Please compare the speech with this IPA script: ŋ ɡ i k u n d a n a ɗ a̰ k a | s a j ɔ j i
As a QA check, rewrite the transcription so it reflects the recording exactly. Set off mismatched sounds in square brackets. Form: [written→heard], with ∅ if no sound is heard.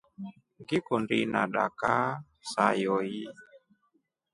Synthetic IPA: ŋ ɡ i k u n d [a→i] n a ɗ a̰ k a | s a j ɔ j i